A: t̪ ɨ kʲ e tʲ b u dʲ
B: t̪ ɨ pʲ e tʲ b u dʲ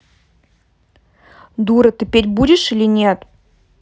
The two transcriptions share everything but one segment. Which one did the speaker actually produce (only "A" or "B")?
B